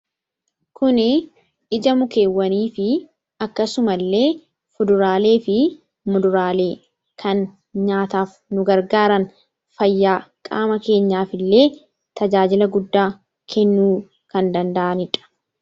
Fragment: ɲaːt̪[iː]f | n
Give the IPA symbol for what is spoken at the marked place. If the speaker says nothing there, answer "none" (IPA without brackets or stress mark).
aː